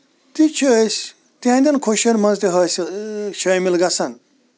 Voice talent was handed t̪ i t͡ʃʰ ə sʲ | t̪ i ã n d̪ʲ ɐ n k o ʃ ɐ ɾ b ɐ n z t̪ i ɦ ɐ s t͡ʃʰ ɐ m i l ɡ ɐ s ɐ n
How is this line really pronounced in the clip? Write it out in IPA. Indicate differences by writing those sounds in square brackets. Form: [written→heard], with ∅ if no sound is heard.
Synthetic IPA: t̪ i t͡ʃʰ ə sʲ | t̪ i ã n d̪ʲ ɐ n [k→kʰ] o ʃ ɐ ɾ [b→m] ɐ n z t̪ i ɦ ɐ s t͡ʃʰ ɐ m i l ɡ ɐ s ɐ n